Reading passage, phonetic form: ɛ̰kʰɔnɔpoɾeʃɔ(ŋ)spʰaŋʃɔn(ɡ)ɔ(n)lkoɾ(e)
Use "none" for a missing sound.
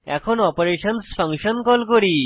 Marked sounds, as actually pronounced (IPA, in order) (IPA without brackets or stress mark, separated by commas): n, k, none, i